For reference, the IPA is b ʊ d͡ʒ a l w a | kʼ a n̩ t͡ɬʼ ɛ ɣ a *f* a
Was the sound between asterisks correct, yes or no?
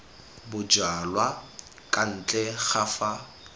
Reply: yes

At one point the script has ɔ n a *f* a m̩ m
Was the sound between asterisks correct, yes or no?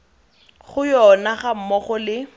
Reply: no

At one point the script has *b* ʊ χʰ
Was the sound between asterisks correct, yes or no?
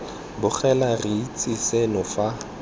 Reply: yes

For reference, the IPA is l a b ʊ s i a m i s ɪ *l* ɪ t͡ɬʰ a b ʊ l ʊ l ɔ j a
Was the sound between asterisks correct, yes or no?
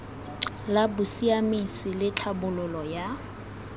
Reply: yes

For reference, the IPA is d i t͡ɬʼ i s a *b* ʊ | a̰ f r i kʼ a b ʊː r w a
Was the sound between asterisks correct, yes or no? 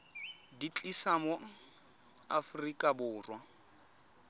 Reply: no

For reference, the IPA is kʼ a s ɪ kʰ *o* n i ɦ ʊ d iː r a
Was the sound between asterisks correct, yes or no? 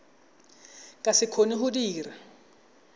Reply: yes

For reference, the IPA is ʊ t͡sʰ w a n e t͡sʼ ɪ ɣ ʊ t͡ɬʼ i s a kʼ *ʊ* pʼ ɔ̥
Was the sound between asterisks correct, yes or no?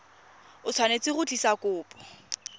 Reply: no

